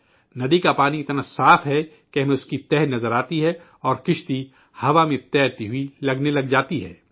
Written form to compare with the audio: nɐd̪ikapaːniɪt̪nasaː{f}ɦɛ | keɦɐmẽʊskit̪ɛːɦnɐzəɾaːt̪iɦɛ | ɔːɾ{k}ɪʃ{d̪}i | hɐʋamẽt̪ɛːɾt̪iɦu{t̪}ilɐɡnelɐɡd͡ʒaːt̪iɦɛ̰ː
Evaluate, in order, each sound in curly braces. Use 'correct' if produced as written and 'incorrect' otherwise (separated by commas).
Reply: correct, correct, incorrect, incorrect